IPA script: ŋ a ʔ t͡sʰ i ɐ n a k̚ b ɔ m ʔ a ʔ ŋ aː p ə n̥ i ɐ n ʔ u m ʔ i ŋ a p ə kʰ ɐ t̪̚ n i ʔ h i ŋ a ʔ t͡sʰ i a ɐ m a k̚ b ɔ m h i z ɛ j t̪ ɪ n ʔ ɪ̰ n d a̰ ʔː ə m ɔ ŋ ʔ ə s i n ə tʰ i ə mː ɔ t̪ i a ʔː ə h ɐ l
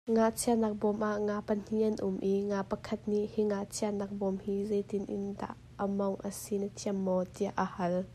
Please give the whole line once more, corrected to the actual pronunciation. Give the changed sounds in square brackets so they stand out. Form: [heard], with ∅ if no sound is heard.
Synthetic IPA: ŋ a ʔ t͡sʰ i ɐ n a k̚ b ɔ m ʔ a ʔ ŋ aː p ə n̥ i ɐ n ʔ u m ʔ i ŋ a p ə kʰ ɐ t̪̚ n i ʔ h i ŋ a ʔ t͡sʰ i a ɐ [n] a k̚ b ɔ m h i z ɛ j t̪ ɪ n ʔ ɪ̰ n d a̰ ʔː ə m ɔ ŋ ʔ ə s i n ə tʰ i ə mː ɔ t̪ i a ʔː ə h ɐ l